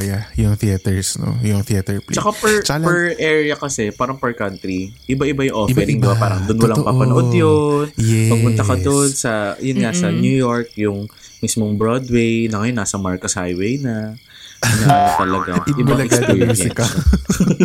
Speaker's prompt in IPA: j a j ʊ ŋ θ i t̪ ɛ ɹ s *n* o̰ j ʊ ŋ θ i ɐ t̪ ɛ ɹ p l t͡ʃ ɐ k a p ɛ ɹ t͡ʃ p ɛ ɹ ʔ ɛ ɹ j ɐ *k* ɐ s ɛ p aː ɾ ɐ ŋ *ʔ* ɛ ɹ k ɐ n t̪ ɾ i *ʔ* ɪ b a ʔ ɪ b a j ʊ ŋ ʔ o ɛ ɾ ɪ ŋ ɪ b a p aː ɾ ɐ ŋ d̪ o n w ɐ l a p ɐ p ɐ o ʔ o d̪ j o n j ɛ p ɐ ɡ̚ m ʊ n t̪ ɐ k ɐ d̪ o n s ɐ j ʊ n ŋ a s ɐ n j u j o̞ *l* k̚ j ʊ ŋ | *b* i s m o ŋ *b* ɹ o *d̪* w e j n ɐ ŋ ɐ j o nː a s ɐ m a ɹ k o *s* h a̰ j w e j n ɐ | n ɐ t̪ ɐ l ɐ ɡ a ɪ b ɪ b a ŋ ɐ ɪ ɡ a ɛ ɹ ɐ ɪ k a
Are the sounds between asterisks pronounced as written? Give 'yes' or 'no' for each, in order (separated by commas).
yes, yes, no, yes, no, no, yes, yes, yes